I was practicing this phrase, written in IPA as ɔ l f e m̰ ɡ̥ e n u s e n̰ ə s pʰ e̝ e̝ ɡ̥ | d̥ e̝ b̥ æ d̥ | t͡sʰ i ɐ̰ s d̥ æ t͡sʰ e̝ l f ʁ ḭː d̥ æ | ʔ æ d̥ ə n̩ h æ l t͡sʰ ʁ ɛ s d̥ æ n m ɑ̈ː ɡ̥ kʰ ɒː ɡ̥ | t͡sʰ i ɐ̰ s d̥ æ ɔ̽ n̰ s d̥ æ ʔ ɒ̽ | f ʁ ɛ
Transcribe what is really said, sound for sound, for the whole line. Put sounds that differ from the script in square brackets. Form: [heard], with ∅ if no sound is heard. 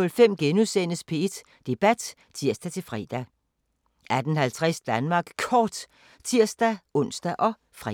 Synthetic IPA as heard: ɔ l f e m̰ ɡ̥ e n u s e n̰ ə s pʰ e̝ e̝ [d̥] | d̥ e̝ b̥ æ d̥ | t͡sʰ i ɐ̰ s d̥ æ t͡sʰ e̝ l f ʁ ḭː d̥ æ | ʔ æ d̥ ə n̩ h æ l t͡sʰ ʁ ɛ s d̥ æ n m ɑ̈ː ɡ̥ kʰ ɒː [d̥] | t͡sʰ i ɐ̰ s d̥ æ ɔ̽ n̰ s d̥ æ ʔ ɒ̽ | f ʁ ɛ